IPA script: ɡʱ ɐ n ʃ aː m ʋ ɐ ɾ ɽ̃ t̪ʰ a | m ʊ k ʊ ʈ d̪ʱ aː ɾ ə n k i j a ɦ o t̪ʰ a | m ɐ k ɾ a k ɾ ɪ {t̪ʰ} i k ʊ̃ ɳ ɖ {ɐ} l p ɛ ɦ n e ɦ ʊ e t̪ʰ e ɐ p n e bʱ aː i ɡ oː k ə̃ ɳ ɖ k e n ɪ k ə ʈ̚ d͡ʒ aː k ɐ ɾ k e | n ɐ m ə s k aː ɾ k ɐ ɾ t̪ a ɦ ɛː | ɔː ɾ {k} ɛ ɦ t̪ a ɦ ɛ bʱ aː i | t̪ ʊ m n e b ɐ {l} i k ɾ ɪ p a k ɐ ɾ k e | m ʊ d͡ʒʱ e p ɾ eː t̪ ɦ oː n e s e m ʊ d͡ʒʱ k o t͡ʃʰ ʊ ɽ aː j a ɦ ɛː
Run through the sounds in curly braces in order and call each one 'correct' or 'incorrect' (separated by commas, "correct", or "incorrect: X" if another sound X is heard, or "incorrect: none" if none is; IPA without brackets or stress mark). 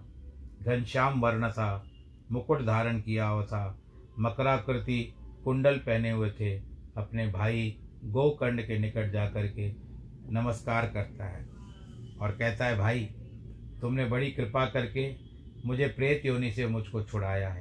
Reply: incorrect: t̪, incorrect: ə, correct, incorrect: ɽ